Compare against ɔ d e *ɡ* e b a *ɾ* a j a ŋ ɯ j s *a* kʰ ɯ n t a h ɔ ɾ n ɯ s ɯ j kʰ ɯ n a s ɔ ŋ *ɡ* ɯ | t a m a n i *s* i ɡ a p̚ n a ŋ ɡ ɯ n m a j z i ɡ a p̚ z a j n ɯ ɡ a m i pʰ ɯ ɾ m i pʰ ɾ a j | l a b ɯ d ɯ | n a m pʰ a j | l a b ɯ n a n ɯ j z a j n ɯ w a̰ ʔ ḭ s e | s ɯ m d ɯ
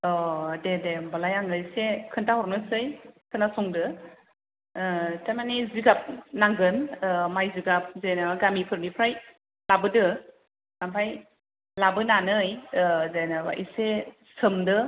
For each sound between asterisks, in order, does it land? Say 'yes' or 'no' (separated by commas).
no, no, no, no, no